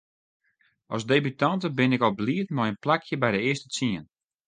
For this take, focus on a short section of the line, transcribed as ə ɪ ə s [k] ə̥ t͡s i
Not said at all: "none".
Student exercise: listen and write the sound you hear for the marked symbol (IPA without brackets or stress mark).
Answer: t